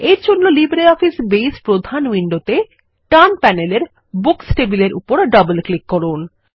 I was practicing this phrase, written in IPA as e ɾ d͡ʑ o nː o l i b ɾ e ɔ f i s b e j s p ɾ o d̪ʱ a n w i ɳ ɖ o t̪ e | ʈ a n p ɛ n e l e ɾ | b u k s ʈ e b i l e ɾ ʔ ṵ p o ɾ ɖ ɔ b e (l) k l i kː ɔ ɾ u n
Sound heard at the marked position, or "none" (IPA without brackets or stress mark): l